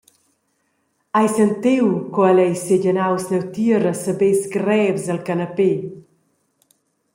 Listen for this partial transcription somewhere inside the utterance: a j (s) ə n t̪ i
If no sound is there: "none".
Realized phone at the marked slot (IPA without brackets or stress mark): s